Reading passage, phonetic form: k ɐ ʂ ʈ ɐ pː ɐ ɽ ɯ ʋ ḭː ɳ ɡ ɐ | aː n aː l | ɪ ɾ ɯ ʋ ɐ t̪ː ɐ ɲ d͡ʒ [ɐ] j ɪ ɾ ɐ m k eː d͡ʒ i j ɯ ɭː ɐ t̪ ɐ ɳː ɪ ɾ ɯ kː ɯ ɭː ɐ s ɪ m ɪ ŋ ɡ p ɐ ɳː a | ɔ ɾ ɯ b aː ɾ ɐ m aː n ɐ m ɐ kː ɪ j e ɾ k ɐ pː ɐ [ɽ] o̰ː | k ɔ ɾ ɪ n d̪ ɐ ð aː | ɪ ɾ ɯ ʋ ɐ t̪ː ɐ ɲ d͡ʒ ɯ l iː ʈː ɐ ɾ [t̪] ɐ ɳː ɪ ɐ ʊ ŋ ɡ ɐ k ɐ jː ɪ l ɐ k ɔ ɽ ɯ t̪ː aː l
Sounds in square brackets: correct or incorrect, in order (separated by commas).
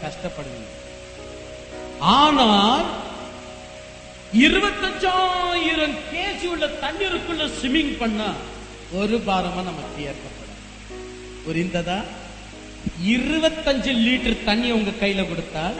incorrect, correct, correct